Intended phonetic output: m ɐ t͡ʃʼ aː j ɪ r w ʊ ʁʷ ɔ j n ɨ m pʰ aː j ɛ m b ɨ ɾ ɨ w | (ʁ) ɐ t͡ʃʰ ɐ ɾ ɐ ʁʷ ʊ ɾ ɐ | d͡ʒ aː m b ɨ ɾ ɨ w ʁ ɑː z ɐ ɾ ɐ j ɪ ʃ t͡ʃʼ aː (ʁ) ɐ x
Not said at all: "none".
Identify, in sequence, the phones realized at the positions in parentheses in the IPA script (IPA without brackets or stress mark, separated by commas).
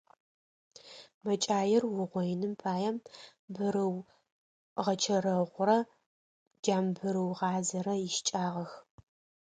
ʁ, ʁ